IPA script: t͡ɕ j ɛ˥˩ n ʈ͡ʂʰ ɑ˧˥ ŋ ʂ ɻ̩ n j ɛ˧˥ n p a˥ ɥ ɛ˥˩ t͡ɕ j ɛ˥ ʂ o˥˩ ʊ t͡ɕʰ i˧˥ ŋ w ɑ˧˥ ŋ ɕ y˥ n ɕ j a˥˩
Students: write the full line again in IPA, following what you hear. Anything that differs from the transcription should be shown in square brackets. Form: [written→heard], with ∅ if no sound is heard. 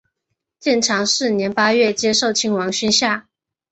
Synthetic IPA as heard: t͡ɕ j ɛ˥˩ n ʈ͡ʂʰ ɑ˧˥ ŋ ʂ ɻ̩ n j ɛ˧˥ n p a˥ ɥ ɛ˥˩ t͡ɕ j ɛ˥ ʂ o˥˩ ʊ t͡ɕʰ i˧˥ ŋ w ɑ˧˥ ŋ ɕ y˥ n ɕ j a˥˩